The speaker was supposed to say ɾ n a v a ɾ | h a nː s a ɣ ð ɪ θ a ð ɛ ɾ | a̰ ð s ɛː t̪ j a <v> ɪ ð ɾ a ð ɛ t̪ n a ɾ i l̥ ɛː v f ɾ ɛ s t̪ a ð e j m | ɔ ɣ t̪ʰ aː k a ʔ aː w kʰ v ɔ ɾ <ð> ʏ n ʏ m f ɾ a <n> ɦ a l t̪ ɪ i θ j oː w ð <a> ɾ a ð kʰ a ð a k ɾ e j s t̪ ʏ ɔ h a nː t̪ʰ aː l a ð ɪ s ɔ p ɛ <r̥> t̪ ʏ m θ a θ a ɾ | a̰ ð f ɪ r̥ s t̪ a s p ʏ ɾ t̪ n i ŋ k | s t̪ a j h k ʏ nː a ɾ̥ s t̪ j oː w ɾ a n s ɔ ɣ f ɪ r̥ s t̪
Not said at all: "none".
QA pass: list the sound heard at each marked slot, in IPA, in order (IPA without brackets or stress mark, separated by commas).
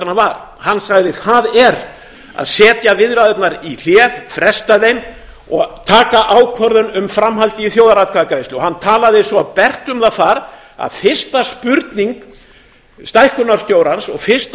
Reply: v, ð, m, a, r̥